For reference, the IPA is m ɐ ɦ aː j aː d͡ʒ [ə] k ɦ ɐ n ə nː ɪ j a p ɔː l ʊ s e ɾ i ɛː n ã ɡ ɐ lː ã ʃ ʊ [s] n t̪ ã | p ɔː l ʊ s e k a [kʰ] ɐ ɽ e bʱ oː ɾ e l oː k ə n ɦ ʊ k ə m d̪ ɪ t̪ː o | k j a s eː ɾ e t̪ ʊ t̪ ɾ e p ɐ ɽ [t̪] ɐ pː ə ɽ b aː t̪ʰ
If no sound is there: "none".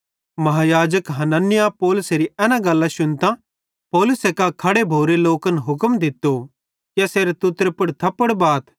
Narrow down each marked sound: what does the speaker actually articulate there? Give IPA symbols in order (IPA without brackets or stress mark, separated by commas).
ə, none, kʰ, t̪ʰ